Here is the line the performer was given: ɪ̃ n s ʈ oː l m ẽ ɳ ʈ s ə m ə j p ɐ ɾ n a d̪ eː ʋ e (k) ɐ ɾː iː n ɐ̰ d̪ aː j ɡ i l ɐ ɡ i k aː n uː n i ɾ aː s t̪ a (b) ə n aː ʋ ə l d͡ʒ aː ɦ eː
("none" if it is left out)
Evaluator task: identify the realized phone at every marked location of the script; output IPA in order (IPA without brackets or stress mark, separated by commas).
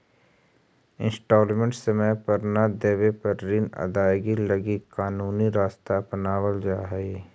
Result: p, p